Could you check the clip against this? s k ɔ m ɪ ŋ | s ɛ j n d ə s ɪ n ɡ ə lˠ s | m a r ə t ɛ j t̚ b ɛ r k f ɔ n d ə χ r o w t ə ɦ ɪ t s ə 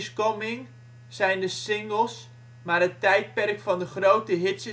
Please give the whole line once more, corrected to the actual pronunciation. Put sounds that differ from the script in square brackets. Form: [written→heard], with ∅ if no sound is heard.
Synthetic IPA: s k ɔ m ɪ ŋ | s ɛ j n d ə s ɪ [n→ŋ] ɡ ə lˠ s | m a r ə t ɛ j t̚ [b→p] ɛ r k f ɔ n d ə χ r o w t ə ɦ ɪ t s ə